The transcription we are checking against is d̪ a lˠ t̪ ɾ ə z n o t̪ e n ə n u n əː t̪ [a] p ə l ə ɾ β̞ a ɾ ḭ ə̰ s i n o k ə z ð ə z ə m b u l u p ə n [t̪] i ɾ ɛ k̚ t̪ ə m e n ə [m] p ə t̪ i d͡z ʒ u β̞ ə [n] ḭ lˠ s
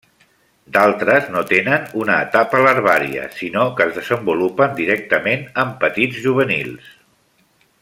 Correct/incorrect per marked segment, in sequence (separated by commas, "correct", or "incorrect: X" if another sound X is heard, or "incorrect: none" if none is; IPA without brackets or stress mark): correct, incorrect: d̪, correct, correct